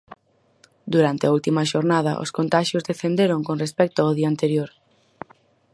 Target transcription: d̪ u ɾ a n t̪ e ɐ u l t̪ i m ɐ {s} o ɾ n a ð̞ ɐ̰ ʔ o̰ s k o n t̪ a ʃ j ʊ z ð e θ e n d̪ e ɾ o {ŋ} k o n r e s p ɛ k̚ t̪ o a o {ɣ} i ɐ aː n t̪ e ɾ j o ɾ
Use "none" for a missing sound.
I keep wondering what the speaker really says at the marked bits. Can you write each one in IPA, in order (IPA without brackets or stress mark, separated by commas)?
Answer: ʃ, ŋ, ð